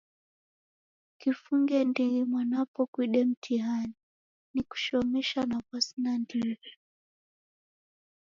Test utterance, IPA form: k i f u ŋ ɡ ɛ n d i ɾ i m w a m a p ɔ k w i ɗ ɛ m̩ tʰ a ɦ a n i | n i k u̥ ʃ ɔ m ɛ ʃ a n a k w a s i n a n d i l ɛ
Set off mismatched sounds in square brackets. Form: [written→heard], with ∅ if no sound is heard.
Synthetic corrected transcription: k i f u ŋ ɡ ɛ n d i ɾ i m w a [m→n] a p ɔ k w i ɗ ɛ m̩ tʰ [a→i] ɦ a n i | n i k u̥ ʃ ɔ m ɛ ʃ a n a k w a s i n a n d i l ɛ